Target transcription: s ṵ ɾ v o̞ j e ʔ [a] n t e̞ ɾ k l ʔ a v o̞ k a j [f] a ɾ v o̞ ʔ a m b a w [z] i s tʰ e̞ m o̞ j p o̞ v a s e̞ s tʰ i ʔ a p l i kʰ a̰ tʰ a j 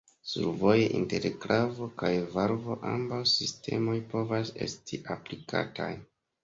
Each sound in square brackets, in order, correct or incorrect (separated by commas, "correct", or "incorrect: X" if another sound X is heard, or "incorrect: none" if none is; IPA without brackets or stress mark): incorrect: i, incorrect: v, incorrect: s